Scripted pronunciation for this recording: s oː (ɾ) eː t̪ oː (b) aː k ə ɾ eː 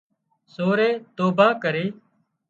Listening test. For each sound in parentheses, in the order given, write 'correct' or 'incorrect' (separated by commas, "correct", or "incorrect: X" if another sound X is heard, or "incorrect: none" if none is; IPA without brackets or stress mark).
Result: correct, correct